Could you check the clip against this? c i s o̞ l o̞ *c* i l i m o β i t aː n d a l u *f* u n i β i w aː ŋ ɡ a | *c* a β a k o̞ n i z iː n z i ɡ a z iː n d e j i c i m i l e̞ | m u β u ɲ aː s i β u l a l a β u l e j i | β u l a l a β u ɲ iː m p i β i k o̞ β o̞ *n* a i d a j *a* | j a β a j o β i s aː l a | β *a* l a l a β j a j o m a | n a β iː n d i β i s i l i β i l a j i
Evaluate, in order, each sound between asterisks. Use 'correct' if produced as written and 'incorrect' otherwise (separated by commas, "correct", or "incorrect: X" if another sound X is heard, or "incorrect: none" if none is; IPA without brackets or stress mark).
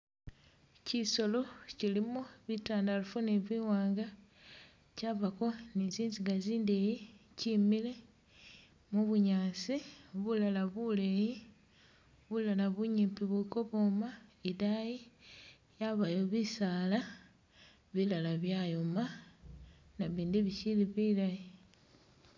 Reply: correct, correct, correct, incorrect: m, incorrect: i, incorrect: i